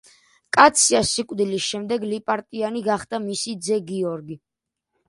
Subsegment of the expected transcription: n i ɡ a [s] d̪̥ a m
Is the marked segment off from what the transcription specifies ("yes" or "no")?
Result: yes